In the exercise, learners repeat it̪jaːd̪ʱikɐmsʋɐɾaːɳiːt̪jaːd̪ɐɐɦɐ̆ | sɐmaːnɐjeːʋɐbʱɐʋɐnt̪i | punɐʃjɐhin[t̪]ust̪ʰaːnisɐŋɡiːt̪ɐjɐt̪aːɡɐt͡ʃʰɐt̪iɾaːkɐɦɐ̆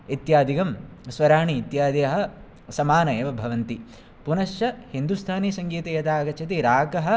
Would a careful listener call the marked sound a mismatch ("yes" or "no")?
yes